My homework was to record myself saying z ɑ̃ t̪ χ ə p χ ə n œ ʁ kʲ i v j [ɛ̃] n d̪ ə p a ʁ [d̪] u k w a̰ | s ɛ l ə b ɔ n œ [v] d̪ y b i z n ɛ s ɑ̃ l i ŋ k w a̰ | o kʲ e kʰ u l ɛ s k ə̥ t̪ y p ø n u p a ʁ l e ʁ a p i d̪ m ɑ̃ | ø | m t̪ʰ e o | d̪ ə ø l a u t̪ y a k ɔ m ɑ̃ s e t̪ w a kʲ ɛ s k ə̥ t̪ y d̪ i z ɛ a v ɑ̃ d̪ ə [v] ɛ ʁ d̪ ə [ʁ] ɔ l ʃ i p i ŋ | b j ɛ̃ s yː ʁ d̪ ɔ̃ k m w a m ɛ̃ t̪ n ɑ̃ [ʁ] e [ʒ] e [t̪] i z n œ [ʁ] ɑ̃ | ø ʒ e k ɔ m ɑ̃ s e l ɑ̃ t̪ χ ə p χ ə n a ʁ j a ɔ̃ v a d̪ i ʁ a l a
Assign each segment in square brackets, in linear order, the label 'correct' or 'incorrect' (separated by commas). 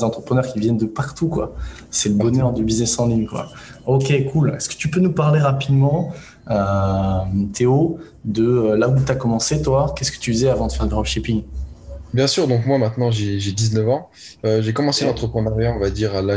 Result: incorrect, incorrect, incorrect, incorrect, correct, incorrect, correct, incorrect, incorrect